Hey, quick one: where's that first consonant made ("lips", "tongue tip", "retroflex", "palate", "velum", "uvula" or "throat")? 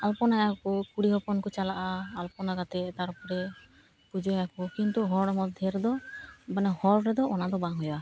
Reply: tongue tip